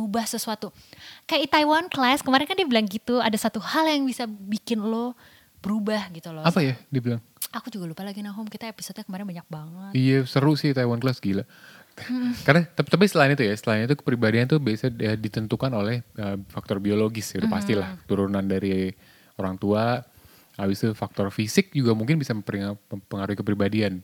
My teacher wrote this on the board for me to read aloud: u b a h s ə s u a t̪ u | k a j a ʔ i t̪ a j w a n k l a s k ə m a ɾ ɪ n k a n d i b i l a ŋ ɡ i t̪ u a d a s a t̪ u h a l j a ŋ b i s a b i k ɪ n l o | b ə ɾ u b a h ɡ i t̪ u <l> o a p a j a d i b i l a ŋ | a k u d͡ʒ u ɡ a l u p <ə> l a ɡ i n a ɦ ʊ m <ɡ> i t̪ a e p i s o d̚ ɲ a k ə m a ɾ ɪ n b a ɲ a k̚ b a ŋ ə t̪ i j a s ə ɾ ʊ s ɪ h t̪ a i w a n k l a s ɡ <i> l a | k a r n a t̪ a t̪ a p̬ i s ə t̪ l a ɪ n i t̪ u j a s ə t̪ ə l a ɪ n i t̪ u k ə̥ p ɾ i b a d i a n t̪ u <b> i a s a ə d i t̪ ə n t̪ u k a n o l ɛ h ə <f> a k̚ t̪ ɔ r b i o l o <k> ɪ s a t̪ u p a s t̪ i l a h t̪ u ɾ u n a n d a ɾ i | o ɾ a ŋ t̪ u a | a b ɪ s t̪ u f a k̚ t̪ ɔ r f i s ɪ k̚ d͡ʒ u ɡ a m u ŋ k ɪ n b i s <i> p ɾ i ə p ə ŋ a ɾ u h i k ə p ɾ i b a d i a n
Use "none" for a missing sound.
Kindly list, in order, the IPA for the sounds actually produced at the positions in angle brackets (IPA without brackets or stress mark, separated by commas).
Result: l, a, k, i, b, f, ɡ, a